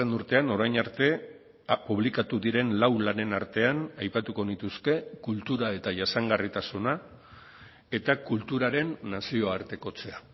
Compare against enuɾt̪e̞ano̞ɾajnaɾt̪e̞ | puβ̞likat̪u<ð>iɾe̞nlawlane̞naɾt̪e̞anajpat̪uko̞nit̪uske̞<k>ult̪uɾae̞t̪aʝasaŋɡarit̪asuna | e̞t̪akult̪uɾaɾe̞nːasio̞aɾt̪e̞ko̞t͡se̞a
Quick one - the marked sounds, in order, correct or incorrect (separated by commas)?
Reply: correct, correct